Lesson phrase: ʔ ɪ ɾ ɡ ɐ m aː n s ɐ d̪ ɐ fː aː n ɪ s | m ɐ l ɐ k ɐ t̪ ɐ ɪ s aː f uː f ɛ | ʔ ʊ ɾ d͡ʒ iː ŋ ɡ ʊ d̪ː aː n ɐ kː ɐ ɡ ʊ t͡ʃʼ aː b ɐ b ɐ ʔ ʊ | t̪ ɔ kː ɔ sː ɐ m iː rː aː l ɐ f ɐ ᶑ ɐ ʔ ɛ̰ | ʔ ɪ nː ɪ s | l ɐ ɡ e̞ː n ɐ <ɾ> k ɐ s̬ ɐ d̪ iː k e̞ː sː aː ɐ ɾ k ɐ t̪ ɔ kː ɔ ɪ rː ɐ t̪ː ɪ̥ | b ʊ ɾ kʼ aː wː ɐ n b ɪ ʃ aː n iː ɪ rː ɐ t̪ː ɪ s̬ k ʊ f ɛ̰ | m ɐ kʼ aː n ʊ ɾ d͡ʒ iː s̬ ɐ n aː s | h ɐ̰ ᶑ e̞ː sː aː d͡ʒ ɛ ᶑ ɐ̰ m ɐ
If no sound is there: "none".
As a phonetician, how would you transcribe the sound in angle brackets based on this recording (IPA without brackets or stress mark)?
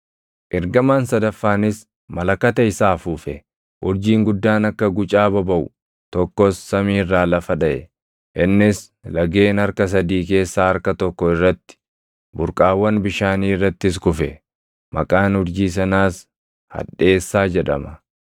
ɾ